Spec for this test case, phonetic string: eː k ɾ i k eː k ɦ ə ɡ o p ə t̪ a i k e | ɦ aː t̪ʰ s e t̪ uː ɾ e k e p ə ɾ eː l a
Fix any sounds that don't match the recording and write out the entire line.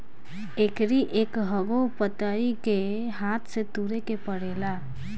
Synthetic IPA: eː k ɾ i ʔ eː k ɦ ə ɡ o p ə t̪ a i k e | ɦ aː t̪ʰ s e t̪ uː ɾ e k e p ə ɽ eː l a